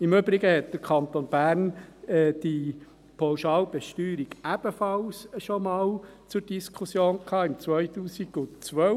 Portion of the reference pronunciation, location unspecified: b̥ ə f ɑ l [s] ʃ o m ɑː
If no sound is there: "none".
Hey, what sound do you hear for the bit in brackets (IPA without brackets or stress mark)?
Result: s